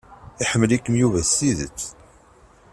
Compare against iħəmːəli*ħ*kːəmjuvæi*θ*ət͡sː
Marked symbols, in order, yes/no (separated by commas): no, no